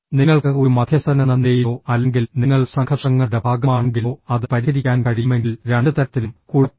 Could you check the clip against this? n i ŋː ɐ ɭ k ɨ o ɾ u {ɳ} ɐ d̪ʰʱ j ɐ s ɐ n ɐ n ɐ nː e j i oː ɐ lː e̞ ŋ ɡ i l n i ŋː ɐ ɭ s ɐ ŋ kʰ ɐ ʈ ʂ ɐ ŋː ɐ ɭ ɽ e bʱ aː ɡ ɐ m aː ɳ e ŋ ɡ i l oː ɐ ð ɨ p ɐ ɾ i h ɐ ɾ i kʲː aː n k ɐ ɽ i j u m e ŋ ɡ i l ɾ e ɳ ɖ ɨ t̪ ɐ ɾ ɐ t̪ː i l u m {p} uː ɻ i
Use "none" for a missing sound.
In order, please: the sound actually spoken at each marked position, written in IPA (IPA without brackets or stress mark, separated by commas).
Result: m, k